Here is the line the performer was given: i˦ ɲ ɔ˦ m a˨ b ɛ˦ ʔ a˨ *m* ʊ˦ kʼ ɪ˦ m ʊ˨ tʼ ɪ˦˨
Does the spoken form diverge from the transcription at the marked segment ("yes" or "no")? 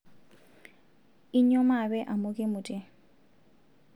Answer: no